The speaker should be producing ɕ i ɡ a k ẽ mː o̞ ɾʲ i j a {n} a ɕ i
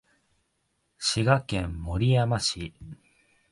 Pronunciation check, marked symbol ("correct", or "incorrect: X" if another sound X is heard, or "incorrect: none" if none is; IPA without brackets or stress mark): incorrect: m